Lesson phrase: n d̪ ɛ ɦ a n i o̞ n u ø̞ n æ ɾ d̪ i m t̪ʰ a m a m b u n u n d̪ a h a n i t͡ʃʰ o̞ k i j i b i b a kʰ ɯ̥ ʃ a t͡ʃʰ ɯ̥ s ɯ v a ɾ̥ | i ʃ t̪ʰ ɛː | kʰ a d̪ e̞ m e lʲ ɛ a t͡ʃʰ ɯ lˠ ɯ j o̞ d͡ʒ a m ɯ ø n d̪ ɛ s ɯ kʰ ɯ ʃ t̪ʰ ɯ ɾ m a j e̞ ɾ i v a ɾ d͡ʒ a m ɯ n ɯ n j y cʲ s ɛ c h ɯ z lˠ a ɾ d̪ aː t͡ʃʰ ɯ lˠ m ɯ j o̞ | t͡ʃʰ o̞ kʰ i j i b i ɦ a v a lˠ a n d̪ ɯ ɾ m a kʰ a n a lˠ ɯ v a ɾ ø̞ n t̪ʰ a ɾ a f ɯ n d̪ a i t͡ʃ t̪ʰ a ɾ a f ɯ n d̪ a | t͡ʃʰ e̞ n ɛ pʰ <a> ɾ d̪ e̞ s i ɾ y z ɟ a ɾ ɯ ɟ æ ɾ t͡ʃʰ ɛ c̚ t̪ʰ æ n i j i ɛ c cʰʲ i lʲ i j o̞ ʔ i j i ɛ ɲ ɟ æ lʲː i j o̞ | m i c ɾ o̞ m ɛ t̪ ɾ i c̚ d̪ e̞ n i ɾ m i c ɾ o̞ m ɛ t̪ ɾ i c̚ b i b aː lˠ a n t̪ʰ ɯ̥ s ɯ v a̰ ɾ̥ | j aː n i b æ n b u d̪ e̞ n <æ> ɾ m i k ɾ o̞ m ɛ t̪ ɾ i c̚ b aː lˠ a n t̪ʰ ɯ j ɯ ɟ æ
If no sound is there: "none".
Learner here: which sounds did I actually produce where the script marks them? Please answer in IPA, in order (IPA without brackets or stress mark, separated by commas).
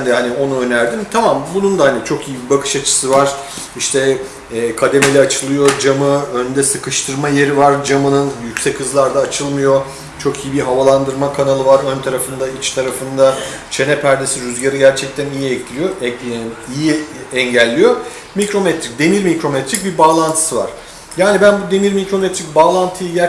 æ, i